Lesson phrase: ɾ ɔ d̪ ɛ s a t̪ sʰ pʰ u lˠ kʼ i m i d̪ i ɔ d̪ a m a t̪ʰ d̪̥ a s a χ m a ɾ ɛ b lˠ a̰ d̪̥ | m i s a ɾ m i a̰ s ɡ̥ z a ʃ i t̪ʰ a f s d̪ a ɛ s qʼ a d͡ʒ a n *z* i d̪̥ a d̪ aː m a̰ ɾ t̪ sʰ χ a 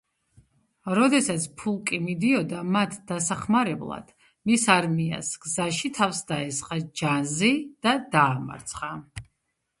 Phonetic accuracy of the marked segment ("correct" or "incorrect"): correct